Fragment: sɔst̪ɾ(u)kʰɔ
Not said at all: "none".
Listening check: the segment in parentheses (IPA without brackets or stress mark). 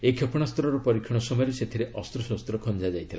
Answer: ɔ